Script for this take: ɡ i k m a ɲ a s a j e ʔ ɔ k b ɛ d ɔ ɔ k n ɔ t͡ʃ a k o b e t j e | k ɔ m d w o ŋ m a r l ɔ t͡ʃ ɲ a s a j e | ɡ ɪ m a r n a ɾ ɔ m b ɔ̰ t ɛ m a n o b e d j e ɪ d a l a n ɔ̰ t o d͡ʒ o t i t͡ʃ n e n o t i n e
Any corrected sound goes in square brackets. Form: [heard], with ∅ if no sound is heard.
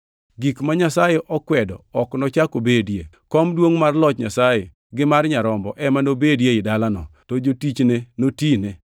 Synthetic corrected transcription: ɡ i k m a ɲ a s a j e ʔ ɔ k [w] ɛ d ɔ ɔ k n ɔ t͡ʃ a k o b e [d] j e | k ɔ m d w o ŋ m a r l ɔ t͡ʃ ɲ a s a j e | ɡ ɪ m a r [ɲ] a ɾ ɔ m b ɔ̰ [ʔ] ɛ m a n o b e d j e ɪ d a l a n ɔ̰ t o d͡ʒ o t i t͡ʃ n e n o t i n e